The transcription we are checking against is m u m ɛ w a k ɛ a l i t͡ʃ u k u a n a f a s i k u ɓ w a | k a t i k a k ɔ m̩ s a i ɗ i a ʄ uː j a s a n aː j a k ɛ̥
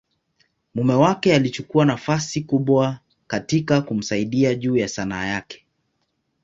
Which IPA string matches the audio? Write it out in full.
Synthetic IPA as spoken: m u m ɛ w a k ɛ a l i t͡ʃ u k u a n a f a s i k u ɓ w a | k a t i k a k u m̩ s a i ɗ i a ʄ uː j a s a n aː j a k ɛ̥